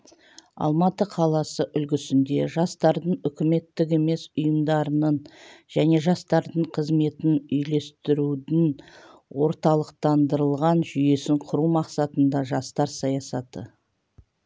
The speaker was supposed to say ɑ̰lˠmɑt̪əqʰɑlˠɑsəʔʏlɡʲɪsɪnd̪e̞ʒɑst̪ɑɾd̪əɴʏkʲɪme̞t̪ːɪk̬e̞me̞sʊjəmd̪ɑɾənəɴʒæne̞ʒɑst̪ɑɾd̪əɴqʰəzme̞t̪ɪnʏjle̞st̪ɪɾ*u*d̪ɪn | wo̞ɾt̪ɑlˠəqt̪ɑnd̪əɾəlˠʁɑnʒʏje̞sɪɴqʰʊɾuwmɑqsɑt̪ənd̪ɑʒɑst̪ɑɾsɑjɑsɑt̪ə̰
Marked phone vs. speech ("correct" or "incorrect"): correct